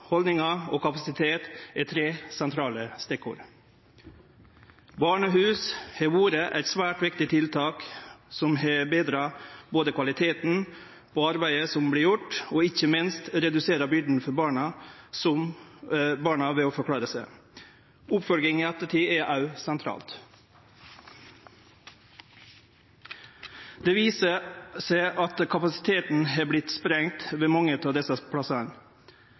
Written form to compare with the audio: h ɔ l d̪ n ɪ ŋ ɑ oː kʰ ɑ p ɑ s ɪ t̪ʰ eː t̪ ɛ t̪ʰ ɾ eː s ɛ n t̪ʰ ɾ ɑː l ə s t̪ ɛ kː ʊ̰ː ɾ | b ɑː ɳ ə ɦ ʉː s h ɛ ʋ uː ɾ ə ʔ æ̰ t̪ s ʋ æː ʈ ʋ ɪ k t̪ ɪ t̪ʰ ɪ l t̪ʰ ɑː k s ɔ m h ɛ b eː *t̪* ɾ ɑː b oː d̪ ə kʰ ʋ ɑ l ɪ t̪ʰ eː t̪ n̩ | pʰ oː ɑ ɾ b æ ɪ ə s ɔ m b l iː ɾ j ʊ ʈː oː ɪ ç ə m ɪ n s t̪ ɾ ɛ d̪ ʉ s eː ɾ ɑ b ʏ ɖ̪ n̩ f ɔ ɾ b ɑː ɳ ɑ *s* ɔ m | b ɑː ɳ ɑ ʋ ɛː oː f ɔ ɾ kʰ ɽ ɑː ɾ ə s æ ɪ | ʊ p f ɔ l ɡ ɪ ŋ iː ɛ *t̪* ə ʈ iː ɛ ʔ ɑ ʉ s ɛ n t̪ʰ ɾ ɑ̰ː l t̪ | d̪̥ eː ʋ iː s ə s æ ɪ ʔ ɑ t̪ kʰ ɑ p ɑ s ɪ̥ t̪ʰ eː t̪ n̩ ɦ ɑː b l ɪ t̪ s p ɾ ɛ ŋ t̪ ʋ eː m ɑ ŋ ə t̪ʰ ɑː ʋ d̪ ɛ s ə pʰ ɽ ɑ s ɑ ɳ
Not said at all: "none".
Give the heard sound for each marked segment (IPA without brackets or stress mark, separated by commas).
d̪, s, t̪